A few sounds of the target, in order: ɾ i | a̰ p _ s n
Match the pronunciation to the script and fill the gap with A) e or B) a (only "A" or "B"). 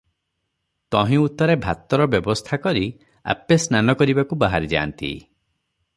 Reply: A